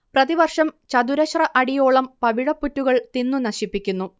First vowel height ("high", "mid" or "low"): low